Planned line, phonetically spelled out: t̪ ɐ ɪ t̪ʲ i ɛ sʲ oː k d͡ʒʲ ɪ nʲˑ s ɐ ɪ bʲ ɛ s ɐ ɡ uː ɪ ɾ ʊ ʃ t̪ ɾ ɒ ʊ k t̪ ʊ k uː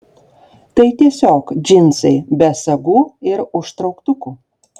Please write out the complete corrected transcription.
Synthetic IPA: t̪ ɐ ɪ t̪ʲ i ɛ sʲ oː k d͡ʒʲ ɪ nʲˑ s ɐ ɪ bʲ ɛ s ɐ ɡ uː ɪ ɾ ʊ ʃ t̪ ɾ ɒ ʊ k t̪ ʊ k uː